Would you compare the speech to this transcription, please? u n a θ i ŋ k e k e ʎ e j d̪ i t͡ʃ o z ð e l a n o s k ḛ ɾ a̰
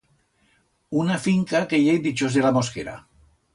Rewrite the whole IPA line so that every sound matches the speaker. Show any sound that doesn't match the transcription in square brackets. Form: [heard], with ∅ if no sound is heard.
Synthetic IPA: u n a [f] i ŋ k [a] k e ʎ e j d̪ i t͡ʃ o z ð e l a [m] o s k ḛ ɾ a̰